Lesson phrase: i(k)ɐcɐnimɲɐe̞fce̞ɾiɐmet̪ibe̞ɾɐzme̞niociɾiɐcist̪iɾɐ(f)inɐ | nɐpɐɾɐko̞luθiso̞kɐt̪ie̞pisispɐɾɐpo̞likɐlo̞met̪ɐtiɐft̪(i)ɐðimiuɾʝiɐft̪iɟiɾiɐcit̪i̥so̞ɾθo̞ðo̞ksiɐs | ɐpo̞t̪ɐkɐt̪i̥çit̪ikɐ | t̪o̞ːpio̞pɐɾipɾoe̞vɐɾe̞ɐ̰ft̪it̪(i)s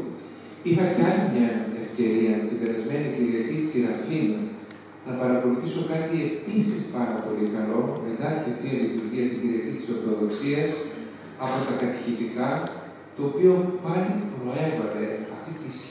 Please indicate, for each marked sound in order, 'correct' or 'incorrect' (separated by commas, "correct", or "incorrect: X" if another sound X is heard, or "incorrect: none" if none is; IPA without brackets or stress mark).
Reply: incorrect: x, correct, correct, correct